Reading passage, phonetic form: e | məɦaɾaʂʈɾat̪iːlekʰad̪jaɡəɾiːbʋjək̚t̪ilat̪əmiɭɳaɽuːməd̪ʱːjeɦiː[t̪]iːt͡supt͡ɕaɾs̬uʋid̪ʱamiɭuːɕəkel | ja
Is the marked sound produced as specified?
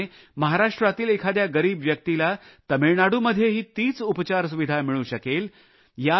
yes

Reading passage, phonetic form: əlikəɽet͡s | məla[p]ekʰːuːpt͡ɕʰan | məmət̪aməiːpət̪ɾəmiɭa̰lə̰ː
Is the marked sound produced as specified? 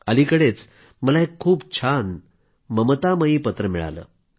no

